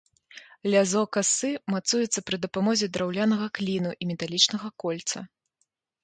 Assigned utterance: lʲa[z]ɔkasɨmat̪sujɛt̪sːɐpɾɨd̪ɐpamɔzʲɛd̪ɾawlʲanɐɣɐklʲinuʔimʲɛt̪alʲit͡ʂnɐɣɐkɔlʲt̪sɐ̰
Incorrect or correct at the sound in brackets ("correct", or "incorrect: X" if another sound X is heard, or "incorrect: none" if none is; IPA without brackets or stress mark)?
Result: correct